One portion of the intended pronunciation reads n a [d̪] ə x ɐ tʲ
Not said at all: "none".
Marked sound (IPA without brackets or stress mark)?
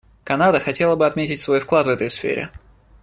d̪